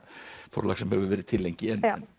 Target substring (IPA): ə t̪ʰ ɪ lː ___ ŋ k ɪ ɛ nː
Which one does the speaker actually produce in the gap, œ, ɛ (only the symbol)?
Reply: ɛ